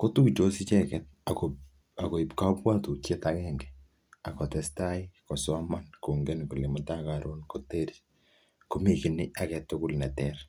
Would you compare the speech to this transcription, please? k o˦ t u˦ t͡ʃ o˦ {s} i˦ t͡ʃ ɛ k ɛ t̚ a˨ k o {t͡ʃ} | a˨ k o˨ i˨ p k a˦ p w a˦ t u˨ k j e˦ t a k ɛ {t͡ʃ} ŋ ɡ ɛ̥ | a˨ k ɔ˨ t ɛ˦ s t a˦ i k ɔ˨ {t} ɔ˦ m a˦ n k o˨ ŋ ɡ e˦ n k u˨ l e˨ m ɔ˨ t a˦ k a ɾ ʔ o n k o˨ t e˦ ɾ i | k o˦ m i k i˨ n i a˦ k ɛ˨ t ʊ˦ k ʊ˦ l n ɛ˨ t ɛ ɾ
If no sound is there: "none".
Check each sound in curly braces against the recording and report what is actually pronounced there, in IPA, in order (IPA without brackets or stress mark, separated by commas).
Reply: s, none, none, s